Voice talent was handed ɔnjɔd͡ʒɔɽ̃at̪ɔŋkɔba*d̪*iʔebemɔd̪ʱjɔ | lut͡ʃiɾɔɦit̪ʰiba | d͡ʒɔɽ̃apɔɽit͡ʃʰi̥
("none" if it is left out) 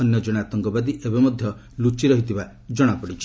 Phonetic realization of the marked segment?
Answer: d̪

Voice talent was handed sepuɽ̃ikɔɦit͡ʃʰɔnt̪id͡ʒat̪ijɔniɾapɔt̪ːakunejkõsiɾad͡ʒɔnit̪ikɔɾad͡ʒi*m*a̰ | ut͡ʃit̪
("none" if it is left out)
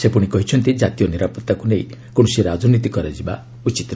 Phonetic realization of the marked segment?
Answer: b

